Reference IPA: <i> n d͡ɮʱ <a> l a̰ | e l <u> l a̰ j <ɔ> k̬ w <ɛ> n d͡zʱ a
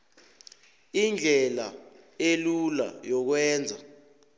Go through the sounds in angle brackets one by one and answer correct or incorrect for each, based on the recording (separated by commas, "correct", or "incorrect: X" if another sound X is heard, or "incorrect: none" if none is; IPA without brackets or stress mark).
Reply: correct, incorrect: ɛ, correct, correct, incorrect: ɛː